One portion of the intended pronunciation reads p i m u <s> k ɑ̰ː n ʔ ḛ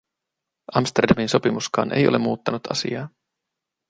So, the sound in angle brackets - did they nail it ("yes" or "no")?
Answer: yes